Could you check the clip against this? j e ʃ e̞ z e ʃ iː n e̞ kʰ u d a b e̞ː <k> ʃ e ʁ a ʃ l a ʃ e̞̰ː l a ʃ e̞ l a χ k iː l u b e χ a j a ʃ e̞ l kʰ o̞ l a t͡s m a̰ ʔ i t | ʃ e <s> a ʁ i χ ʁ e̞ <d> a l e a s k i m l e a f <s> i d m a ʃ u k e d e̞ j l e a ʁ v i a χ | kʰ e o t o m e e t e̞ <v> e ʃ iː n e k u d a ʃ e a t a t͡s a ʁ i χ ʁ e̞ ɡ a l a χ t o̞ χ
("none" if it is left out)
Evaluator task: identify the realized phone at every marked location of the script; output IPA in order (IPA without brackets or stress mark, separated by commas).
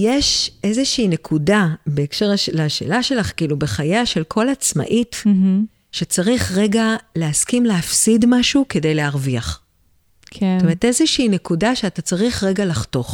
k, t͡s, ɡ, s, z